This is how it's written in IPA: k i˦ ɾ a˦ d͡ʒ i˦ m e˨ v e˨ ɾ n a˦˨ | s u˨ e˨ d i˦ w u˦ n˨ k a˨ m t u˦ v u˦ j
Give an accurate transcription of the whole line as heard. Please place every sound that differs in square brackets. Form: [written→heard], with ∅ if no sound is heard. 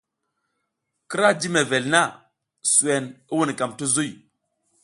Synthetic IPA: k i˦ ɾ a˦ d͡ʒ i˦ m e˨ v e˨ [ɾ→l] n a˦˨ | s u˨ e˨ [d→n] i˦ w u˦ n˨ k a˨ m t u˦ [v→z] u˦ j

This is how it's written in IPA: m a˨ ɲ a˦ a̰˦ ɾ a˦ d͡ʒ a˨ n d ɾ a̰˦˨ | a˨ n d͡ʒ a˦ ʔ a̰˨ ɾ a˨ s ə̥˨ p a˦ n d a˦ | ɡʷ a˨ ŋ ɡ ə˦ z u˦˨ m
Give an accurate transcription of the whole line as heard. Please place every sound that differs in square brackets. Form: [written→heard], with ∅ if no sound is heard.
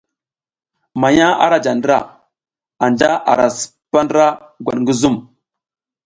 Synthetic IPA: m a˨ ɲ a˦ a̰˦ ɾ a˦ d͡ʒ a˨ n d ɾ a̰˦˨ | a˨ n d͡ʒ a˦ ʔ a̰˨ ɾ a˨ s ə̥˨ p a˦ n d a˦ | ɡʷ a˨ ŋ ɡ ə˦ z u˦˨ m

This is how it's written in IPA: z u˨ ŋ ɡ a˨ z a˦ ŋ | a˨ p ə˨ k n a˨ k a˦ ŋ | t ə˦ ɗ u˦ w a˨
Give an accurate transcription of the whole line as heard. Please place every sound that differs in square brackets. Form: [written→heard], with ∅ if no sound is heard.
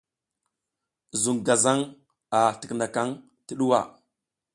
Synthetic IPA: z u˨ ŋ ɡ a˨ z a˦ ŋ | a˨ [p→t] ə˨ k n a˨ k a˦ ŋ | t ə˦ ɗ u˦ w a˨

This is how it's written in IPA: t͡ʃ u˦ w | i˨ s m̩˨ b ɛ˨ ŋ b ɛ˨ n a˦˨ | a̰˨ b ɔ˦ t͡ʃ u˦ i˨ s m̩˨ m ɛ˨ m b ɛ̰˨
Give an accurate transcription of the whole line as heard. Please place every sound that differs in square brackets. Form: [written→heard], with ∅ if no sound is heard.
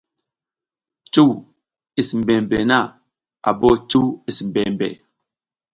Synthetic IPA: t͡ʃ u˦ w | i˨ s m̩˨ b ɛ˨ [ŋ→m] b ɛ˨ n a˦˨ | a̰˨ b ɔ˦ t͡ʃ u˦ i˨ s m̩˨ [m→b] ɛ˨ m b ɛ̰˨

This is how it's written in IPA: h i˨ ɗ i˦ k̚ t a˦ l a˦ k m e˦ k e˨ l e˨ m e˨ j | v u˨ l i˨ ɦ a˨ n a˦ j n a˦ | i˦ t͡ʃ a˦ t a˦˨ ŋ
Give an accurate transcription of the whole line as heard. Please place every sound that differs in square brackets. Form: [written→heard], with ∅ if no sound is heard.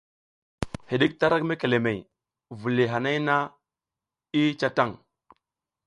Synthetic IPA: h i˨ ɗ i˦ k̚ t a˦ [l→ɾ] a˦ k m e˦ k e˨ l e˨ m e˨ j | v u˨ l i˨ ɦ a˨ n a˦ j n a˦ | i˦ t͡ʃ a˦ t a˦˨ ŋ

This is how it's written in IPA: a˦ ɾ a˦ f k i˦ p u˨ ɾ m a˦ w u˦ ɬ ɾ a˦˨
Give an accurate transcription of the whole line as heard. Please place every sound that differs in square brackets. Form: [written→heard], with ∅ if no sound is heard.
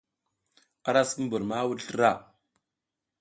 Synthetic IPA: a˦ ɾ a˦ [f→s] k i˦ [p→b] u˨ ɾ m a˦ w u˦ ɬ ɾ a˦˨

